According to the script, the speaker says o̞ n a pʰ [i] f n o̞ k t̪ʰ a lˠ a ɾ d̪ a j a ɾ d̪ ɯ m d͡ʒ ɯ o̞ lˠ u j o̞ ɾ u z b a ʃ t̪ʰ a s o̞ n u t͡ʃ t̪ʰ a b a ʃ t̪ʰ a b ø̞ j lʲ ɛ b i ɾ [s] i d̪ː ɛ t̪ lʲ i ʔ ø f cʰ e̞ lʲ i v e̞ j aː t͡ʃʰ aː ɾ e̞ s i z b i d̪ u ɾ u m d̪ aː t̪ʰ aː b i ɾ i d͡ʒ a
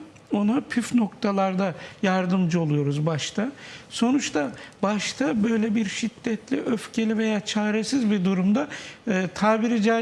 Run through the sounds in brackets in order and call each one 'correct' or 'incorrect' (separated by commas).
incorrect, incorrect